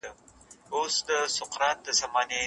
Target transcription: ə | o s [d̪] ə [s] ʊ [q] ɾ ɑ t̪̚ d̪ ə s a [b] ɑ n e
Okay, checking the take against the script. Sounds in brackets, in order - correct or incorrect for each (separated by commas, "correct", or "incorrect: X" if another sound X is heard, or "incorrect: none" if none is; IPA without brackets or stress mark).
correct, correct, correct, incorrect: m